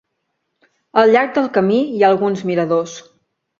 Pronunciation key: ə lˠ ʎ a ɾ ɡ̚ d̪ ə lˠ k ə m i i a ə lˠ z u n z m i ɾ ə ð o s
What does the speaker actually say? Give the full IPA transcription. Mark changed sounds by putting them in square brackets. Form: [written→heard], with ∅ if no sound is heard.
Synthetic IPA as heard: ə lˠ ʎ a ɾ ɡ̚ d̪ ə lˠ k ə m i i a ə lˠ [z→ɣ] u n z m i ɾ ə ð o s